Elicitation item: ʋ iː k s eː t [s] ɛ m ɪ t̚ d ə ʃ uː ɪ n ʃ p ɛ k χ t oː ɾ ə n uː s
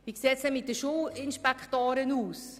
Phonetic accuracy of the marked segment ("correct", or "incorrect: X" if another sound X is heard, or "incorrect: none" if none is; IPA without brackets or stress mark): correct